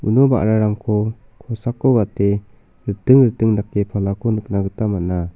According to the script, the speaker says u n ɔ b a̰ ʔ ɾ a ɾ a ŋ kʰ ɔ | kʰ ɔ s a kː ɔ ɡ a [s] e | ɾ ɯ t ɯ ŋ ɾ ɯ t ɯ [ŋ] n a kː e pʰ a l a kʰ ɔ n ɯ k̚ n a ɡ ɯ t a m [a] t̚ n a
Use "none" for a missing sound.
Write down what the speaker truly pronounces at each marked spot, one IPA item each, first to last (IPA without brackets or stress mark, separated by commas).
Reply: t, ŋ, a